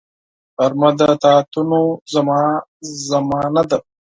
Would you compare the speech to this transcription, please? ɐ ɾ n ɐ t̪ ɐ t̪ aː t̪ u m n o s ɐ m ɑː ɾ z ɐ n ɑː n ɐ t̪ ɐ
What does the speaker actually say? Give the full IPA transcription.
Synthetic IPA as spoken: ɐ ɾ m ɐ d̪ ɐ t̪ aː t̪ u n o z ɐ m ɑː z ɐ m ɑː n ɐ d̪ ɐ